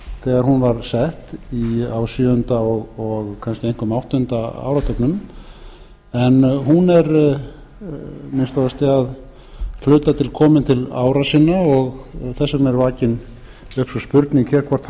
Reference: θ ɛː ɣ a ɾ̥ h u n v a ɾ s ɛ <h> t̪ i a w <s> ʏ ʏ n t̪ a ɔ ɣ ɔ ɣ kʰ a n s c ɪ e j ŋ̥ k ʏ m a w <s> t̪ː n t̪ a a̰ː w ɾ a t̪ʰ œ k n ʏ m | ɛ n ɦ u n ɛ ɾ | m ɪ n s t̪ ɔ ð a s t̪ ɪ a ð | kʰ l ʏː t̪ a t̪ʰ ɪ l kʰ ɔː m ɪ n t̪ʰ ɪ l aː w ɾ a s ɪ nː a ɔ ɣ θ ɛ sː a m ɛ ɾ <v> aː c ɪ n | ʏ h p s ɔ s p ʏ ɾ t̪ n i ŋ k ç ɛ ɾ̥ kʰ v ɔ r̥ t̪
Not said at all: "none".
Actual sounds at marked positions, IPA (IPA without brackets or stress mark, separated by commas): h, s, h, v